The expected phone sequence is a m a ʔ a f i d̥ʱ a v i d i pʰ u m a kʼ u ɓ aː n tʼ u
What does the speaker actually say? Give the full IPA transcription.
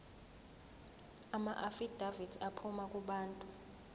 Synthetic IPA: a m a ʔ a f i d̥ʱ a v i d a pʰ u m a kʼ u ɓ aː n tʼ u